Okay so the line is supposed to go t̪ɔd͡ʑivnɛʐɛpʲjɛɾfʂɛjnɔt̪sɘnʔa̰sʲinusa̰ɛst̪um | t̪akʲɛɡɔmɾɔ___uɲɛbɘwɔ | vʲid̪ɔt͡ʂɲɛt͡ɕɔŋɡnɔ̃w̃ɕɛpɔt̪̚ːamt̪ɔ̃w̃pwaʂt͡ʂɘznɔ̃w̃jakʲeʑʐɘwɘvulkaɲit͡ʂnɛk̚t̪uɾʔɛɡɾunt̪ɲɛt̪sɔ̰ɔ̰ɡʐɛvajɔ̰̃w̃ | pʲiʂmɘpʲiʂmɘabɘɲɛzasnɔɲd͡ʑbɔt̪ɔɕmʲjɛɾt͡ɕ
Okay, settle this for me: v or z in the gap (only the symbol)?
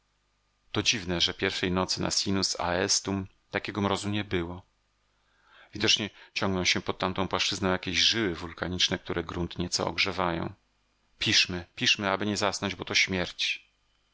z